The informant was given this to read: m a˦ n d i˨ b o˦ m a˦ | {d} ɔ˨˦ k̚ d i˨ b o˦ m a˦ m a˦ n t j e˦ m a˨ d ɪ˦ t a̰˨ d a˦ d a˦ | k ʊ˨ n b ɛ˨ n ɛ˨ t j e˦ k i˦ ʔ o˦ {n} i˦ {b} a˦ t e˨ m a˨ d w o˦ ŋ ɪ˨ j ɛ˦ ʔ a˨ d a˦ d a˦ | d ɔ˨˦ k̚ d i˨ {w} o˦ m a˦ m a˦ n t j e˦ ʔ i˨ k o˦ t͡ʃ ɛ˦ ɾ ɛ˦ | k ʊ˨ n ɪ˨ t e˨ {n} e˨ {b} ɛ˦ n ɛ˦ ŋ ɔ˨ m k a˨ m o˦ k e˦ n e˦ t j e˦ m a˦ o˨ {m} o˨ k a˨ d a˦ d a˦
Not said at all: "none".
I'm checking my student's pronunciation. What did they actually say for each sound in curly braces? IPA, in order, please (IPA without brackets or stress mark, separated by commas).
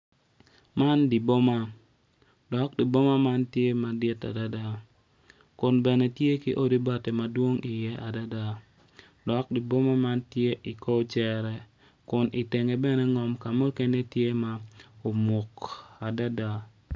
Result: d, d, b, b, ŋ, b, m